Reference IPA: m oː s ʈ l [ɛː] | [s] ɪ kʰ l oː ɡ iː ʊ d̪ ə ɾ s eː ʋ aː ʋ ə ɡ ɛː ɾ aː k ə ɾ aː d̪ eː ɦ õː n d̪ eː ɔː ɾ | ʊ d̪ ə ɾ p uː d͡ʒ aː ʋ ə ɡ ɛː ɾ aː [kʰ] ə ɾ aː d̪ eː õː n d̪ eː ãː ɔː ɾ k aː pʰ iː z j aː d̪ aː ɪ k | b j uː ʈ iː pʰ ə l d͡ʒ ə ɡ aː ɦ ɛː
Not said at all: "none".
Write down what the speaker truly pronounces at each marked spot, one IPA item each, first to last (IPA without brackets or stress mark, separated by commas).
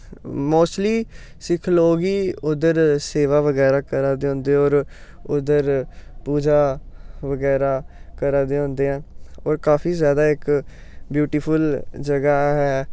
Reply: iː, s, k